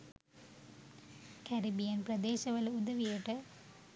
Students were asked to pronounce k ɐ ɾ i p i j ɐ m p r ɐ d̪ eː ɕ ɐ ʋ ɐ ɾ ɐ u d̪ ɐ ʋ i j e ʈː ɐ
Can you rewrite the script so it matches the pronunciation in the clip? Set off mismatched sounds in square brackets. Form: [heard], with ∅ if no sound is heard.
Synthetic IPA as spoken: k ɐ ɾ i [b] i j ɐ [n] p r ɐ d̪ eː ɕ ɐ ʋ ɐ [l] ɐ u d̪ ɐ ʋ i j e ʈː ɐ